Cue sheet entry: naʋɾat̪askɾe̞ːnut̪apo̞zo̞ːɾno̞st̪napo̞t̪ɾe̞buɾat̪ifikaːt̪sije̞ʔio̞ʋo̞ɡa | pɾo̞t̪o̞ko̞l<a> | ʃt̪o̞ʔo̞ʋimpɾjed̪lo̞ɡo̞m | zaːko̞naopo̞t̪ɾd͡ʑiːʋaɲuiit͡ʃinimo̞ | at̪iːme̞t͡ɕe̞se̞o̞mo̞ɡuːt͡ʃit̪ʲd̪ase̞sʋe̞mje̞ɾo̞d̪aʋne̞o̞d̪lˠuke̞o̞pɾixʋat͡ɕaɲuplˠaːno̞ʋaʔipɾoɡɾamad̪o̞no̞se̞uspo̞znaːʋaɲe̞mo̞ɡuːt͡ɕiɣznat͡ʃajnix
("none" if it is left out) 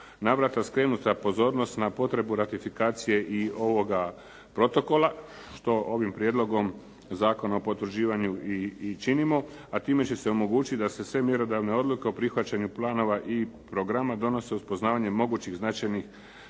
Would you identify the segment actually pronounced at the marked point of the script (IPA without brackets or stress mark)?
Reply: a